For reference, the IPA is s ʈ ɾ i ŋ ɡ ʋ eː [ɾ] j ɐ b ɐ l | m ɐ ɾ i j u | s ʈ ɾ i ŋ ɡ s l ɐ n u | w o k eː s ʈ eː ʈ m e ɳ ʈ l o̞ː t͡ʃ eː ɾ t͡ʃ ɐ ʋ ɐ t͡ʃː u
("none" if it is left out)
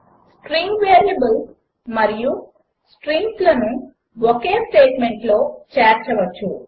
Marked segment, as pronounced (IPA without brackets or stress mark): ɾ